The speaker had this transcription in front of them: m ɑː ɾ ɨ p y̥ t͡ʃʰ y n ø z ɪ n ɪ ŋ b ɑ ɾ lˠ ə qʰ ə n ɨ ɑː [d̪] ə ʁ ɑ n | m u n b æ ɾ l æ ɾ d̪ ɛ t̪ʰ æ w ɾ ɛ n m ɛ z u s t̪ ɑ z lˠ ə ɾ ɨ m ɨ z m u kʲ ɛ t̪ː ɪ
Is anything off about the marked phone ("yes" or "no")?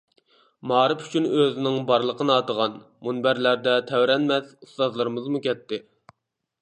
yes